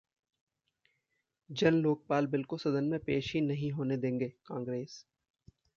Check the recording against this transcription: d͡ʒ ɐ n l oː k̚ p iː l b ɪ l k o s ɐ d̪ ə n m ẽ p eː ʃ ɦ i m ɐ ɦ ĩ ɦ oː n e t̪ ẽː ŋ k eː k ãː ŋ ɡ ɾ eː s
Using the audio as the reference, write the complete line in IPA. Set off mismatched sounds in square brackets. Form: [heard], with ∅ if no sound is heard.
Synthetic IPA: d͡ʒ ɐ n l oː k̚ p [aː] l b ɪ l k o s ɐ d̪ ə n m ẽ p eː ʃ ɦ i [n] ɐ ɦ ĩ ɦ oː n e [d̪] ẽː ŋ [ɡ] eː k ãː ŋ ɡ ɾ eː s

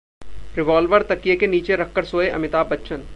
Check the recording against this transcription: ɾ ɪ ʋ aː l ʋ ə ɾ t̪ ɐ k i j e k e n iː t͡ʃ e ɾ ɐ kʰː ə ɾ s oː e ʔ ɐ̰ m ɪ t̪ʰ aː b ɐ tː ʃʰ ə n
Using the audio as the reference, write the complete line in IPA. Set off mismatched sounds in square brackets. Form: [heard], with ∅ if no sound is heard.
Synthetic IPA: ɾ ɪ ʋ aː l ʋ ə ɾ t̪ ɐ k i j e k e n iː t͡ʃ e ɾ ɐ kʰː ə ɾ s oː e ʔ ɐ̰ m ɪ [t̪] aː b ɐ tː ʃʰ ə n

